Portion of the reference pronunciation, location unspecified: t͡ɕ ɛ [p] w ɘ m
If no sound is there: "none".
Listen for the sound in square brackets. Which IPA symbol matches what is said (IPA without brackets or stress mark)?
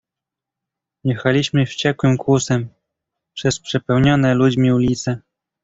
k